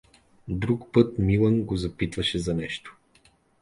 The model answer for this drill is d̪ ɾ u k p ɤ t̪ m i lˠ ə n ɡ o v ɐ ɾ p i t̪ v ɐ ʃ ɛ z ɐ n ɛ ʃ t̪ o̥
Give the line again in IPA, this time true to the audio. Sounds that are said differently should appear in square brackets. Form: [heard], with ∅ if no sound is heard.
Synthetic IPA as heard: d̪ ɾ u k p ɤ t̪ m i lˠ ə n ɡ o [z] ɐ [∅] p i t̪ v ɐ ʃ ɛ z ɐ n ɛ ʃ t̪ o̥